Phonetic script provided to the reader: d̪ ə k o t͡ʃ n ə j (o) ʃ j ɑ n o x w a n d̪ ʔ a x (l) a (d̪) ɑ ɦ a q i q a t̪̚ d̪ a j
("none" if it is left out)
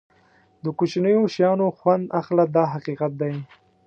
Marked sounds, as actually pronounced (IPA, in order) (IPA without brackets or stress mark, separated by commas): o, l, d̪